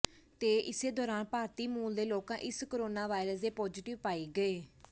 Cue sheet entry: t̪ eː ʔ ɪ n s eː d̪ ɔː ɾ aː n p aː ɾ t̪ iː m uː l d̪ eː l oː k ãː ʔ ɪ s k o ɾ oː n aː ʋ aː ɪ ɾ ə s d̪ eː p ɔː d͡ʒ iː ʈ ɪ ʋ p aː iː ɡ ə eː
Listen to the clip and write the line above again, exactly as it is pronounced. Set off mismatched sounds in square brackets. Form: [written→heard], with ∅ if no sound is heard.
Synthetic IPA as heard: t̪ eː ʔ ɪ [n→∅] s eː d̪ ɔː ɾ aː n p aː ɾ t̪ iː m uː l d̪ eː l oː k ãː ʔ ɪ s k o ɾ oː n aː ʋ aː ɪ ɾ ə s d̪ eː p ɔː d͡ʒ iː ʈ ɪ ʋ p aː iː ɡ ə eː